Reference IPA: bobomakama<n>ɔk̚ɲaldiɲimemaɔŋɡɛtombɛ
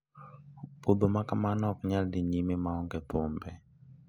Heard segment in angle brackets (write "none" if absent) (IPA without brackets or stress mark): n